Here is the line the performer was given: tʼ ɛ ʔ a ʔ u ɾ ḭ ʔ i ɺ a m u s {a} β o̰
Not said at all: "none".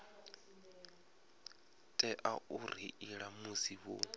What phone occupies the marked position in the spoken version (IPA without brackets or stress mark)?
i